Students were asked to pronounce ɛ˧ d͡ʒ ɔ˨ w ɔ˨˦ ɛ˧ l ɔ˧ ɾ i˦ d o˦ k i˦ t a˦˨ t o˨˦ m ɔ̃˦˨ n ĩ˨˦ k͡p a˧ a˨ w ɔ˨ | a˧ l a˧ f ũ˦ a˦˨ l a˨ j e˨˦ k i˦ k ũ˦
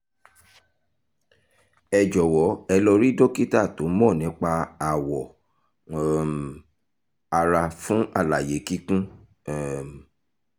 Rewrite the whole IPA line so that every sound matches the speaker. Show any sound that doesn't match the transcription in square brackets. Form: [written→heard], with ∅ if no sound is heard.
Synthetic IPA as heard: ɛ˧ d͡ʒ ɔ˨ w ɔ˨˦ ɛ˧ l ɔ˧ ɾ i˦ d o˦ k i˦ t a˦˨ t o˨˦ m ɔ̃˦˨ n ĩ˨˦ k͡p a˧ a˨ w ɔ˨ | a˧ [l→ɾ] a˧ f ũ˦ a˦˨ l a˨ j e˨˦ k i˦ k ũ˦